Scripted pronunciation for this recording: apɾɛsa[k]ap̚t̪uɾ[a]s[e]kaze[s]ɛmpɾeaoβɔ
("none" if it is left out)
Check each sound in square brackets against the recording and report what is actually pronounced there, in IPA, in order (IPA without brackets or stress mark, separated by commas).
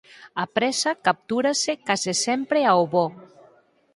k, a, e, s